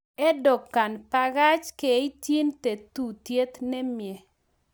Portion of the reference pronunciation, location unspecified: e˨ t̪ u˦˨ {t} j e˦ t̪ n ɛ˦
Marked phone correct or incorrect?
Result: correct